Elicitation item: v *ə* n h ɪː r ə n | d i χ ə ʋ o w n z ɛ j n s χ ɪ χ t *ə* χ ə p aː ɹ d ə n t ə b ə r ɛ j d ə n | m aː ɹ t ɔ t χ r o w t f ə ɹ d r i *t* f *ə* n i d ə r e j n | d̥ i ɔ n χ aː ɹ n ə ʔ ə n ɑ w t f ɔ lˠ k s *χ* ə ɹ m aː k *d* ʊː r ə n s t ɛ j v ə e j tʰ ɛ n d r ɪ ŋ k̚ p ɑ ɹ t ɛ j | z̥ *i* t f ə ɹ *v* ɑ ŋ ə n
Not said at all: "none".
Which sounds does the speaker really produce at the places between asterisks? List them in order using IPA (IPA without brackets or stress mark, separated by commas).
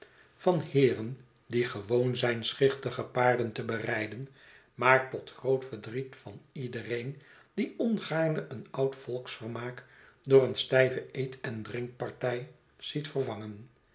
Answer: ɑ, ə, t, ɑ, f, d, i, v